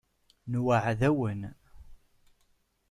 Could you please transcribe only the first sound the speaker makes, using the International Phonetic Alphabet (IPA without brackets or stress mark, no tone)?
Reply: n